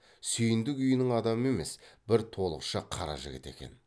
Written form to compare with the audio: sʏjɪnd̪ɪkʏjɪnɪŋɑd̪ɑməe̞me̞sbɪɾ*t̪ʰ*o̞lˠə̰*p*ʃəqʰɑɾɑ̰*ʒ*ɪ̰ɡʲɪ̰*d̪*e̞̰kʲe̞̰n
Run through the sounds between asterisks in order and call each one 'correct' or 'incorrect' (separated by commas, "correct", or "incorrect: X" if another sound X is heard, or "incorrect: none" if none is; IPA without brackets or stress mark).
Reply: correct, incorrect: q, correct, incorrect: t̪